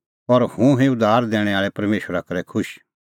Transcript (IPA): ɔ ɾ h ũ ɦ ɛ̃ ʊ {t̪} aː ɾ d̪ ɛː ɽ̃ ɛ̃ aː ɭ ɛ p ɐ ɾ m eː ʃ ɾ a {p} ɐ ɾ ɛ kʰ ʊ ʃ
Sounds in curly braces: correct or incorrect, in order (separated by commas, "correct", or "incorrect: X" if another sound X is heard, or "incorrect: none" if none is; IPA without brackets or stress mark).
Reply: incorrect: d̪, incorrect: k